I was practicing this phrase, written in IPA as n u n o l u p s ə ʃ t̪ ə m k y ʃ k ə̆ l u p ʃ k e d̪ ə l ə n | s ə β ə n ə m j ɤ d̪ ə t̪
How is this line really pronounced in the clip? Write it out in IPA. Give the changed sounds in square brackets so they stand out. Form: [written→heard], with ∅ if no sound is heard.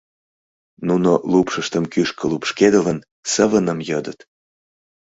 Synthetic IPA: n u n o l u p [s→ʃ] ə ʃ t̪ ə m k y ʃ k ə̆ l u p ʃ k e d̪ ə l ə n | s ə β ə n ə m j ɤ d̪ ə t̪